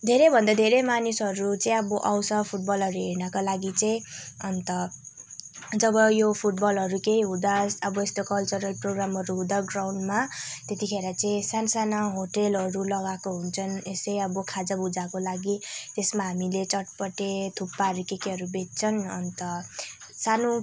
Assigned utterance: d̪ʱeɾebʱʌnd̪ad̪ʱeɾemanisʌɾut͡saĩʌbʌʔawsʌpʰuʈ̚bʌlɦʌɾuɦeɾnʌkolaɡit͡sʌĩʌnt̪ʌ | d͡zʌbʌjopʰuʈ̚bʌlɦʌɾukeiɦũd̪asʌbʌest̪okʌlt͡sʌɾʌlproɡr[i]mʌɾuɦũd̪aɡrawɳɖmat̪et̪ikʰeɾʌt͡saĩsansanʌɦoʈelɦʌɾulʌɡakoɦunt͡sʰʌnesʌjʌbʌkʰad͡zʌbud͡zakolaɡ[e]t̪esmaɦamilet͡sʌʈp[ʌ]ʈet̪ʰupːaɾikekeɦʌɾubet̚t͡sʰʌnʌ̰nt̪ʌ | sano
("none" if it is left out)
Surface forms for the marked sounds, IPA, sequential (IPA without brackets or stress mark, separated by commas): a, i, ʌ